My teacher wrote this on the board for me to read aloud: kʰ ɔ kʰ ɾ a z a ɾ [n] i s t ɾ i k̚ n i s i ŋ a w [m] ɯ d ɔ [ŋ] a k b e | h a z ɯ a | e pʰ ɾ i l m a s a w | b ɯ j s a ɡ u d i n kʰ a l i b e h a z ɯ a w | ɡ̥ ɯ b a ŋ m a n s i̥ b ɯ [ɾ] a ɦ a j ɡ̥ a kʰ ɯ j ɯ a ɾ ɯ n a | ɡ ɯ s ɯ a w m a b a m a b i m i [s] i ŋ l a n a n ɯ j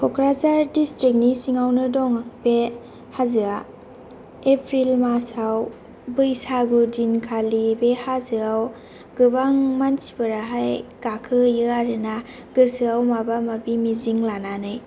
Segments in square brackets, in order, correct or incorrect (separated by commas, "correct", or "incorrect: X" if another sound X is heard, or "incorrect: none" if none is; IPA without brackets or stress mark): incorrect: d, incorrect: n, correct, correct, incorrect: z